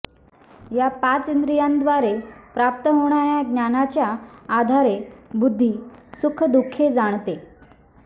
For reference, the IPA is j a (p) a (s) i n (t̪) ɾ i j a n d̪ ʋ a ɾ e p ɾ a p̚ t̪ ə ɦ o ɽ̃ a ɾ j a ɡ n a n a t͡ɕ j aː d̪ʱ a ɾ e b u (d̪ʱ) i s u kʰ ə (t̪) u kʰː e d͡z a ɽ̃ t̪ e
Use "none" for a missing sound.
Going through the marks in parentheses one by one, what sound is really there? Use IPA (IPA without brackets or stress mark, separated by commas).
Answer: p, t͡s, d̪, d̪ʱː, d̪